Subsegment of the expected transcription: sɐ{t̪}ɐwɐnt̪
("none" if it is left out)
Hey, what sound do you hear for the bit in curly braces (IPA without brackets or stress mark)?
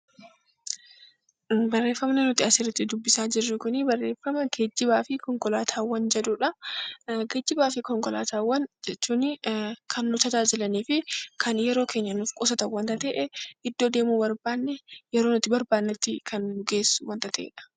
t̪